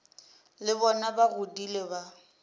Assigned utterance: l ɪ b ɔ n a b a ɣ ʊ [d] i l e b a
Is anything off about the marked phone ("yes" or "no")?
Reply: no